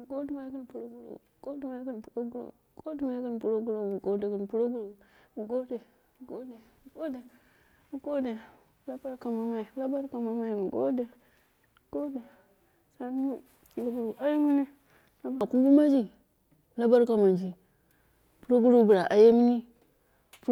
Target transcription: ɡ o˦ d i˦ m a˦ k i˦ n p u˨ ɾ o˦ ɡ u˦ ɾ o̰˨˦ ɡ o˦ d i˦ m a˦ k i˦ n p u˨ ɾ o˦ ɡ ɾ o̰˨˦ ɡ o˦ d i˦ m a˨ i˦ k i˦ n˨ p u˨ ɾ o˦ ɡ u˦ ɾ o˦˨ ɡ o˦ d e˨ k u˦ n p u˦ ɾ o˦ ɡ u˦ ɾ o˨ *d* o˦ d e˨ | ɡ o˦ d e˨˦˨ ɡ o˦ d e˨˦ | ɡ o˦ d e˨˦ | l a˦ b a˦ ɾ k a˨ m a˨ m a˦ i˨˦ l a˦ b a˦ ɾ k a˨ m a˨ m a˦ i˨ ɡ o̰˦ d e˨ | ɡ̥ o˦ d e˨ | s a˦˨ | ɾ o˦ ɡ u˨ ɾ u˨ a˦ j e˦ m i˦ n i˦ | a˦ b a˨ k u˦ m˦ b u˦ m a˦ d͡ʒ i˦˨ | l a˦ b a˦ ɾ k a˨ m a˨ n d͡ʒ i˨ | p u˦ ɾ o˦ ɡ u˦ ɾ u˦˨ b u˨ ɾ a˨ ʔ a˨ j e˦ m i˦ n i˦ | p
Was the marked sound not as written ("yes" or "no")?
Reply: yes